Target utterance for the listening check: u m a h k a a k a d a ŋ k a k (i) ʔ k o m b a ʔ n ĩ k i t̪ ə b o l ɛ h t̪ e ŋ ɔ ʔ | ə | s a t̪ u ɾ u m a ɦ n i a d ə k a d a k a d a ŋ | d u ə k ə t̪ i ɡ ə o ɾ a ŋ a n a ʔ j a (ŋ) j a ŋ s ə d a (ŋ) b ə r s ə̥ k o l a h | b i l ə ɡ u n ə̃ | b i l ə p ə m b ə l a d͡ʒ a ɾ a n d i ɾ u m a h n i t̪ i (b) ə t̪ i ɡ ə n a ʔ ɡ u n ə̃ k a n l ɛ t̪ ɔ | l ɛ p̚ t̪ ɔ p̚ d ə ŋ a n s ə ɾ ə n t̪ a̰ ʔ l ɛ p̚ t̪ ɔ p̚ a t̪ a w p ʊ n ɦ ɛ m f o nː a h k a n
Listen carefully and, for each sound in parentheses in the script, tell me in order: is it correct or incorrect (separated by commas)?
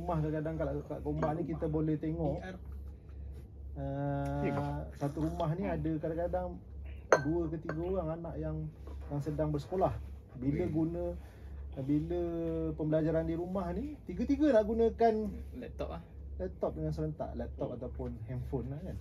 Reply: incorrect, correct, correct, incorrect